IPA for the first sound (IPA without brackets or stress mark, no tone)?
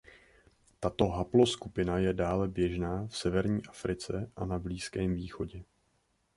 t̪